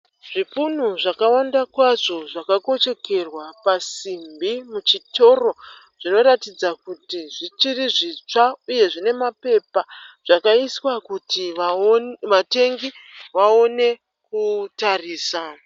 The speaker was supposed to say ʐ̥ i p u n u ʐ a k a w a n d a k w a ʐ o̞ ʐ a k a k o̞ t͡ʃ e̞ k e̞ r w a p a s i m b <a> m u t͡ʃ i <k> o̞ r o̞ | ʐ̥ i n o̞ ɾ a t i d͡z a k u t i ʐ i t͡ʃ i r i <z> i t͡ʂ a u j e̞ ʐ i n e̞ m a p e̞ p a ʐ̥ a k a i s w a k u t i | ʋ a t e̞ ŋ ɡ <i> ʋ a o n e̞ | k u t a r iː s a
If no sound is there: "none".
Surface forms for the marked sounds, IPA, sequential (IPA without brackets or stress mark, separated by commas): i, t, ʐ, i